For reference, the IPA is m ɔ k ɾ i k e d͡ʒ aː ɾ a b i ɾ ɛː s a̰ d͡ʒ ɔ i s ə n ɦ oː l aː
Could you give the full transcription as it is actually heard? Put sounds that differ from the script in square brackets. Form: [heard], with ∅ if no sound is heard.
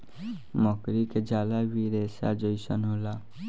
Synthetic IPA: m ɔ k ɾ i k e d͡ʒ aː [l] a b i ɾ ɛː s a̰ d͡ʒ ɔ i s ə n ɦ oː l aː